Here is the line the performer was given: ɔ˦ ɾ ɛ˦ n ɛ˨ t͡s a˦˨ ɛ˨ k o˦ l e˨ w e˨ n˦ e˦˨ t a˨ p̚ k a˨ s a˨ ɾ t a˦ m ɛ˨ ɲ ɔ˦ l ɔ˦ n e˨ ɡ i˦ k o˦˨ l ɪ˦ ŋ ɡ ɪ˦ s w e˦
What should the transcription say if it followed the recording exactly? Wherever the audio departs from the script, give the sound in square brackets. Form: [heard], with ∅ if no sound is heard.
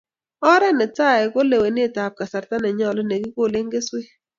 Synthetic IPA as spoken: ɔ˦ ɾ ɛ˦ n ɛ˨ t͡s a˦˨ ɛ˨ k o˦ l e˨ w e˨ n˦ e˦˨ t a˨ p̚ k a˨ s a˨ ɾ t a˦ [n] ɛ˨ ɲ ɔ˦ l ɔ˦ n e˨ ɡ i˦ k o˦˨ l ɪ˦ ŋ ɡ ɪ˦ s w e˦